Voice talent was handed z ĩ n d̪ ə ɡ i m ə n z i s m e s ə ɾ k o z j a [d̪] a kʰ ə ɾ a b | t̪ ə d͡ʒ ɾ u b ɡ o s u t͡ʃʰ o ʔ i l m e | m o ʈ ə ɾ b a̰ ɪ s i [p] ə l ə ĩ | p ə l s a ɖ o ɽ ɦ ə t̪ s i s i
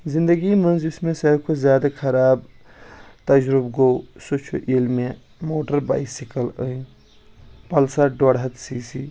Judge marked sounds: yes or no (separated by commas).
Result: yes, no